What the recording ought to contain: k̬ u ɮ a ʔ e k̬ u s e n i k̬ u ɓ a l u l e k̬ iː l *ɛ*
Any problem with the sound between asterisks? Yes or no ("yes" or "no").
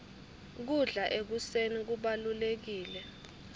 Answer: no